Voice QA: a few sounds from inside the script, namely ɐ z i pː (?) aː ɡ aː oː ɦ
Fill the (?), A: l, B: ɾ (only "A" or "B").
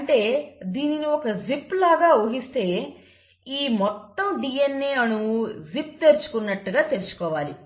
A